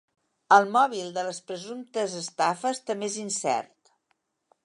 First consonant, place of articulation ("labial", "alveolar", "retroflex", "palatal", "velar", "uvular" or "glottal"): alveolar